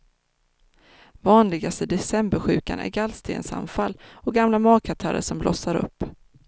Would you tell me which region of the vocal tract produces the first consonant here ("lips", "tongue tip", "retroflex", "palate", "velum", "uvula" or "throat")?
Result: lips